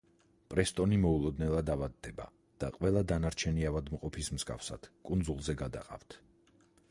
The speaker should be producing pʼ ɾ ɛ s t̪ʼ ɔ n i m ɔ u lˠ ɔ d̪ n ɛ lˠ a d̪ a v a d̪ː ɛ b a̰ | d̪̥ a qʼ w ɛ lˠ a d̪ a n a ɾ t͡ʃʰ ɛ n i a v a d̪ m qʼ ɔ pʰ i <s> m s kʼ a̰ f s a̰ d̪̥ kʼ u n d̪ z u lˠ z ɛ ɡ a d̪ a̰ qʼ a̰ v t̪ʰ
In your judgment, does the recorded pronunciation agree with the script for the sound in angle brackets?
yes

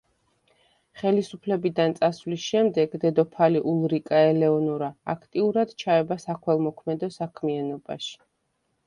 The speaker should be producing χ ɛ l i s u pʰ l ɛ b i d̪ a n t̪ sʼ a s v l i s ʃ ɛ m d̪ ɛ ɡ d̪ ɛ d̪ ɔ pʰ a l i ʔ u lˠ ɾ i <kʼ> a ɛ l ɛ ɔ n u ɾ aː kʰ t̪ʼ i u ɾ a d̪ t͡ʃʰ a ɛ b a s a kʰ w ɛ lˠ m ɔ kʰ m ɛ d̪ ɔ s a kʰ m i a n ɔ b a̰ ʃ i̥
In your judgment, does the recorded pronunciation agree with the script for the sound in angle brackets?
yes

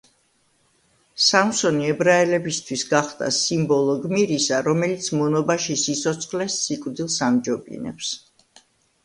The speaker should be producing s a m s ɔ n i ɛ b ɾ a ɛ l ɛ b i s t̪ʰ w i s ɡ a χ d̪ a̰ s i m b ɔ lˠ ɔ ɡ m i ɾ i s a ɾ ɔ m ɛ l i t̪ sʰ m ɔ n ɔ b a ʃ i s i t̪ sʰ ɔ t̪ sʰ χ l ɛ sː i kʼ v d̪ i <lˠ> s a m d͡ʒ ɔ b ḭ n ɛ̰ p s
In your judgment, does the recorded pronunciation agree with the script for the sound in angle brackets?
yes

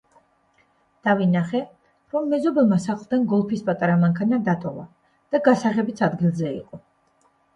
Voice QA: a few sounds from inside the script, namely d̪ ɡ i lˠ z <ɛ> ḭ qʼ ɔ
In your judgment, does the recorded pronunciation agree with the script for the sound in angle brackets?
yes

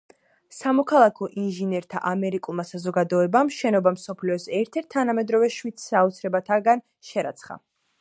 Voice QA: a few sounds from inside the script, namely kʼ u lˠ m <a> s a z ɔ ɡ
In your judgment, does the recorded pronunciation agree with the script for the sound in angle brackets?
yes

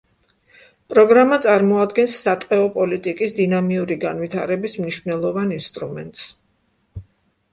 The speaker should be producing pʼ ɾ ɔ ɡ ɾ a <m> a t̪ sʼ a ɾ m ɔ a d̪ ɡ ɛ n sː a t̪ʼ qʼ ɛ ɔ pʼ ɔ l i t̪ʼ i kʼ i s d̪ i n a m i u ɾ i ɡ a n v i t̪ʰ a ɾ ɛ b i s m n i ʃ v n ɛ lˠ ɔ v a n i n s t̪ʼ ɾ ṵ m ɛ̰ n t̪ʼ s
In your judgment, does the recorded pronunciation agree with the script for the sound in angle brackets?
yes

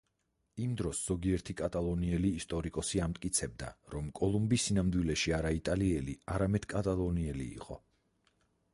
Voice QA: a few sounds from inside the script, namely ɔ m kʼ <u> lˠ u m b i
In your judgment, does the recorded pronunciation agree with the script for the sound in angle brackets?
no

